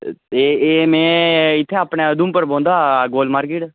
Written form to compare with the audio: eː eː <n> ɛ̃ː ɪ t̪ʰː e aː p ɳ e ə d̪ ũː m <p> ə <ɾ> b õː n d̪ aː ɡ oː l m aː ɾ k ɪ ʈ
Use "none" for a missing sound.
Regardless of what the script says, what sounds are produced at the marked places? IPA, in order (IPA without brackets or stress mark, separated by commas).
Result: m, p, ɾ